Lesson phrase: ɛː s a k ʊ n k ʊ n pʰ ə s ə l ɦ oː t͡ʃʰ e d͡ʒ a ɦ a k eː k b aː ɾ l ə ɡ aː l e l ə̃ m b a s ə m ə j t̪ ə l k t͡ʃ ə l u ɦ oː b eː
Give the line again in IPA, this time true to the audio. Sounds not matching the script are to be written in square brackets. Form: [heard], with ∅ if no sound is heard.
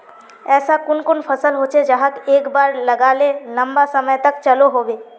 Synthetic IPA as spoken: ɛː s a k ʊ n k ʊ n pʰ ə s ə l ɦ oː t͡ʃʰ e d͡ʒ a ɦ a k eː k b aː ɾ l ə ɡ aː l e l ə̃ m b a s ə m ə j t̪ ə [∅] k t͡ʃ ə l [o] ɦ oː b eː

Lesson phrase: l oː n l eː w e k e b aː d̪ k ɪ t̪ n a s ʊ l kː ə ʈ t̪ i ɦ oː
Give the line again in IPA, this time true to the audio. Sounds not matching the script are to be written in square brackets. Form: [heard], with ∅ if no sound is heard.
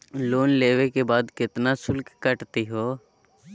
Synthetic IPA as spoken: l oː n l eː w e k e b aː d̪ k ɪ t̪ n a s ʊ l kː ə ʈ t̪ i ɦ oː

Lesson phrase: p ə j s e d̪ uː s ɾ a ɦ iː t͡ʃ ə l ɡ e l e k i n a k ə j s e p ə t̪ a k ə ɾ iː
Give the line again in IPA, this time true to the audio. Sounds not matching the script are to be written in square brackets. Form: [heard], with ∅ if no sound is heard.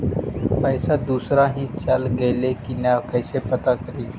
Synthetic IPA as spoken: p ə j s [a] d̪ uː s ɾ a ɦ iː t͡ʃ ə l ɡ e l e k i n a k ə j s e p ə t̪ a k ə ɾ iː

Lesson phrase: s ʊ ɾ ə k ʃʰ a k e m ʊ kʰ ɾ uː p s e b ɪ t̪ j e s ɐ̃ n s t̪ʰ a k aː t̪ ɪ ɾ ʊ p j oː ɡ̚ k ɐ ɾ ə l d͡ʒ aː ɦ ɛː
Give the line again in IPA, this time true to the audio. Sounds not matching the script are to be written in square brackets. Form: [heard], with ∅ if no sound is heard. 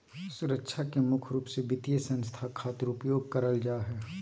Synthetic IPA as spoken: s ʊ ɾ ə k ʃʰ a k e m ʊ kʰ ɾ uː p s e b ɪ t̪ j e s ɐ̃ n s t̪ʰ a [kʰ] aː t̪ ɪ ɾ ʊ p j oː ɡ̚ k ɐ ɾ ə l d͡ʒ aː ɦ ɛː

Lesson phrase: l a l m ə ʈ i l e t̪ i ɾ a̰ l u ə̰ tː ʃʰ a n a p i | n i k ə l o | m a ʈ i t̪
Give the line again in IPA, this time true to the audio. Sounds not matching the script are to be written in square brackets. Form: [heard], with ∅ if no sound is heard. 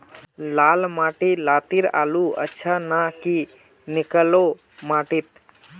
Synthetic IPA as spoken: l a l m [a] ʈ i l [a] t̪ i ɾ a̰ l u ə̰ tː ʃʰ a n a [k] i | n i k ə l o | m a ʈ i t̪

